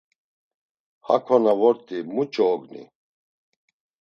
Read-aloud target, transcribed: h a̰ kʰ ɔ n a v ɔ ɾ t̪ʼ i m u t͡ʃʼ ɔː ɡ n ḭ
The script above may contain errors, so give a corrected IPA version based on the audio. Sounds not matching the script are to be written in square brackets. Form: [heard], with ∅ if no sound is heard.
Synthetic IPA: h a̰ kʰ ɔ n a v ɔ ɾ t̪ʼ i m u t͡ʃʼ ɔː ɡ n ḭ